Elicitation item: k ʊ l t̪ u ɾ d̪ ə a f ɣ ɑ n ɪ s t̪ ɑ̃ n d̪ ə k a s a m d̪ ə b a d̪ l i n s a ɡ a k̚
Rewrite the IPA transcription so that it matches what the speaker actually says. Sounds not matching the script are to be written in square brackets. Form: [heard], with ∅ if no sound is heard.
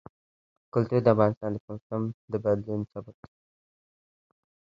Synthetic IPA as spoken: k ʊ l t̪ u ɾ d̪ ə a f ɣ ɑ n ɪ s t̪ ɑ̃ n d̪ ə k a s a m d̪ ə b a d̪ l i n s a [b] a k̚